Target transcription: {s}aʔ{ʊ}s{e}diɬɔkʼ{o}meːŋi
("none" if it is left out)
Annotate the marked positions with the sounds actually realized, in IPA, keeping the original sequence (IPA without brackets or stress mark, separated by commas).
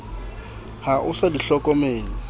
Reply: h, ʊ, a, ɔ